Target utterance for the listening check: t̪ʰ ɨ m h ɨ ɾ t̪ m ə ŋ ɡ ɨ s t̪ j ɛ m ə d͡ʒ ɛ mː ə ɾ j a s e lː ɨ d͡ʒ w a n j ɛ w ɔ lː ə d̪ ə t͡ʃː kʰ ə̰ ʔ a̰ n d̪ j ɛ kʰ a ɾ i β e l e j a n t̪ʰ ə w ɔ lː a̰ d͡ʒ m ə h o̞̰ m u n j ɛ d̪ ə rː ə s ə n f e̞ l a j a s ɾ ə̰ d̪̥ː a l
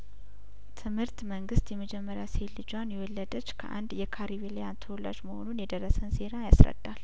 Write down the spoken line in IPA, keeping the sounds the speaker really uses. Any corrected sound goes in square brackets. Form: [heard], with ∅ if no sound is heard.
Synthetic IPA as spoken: t̪ʰ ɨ m h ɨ ɾ t̪ m ə ŋ ɡ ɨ s t̪ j ɛ m ə d͡ʒ ɛ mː ə ɾ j a s e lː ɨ d͡ʒ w a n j ɛ w ɔ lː ə d̪ ə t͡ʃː kʰ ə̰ ʔ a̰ n d̪ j ɛ kʰ a ɾ i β e l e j a n t̪ʰ ə w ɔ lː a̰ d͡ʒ m ə h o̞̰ [n] u n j ɛ d̪ ə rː ə s ə n [s] e̞ [ɾ] a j a s ɾ ə̰ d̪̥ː a l